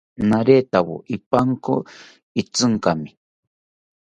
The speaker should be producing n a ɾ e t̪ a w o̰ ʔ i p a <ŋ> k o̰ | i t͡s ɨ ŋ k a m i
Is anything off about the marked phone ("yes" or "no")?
no